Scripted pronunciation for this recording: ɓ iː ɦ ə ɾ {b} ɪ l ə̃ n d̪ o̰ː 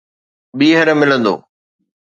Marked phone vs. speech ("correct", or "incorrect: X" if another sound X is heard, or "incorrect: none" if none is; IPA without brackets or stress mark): incorrect: m